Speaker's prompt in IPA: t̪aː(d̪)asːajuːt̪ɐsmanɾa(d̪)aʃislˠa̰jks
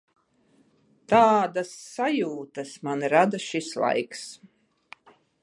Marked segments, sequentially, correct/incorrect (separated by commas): correct, correct